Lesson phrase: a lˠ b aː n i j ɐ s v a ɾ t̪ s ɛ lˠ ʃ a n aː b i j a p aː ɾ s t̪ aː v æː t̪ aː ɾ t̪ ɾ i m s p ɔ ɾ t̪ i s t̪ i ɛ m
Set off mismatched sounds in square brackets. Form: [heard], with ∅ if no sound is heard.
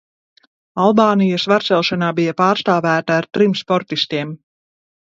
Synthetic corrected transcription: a lˠ b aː n i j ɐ s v a ɾ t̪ s ɛ lˠ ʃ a n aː b i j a p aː ɾ s t̪ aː v æː t̪ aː ɾ t̪ ɾ i m s p ɔ ɾ t̪ i s t̪ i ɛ m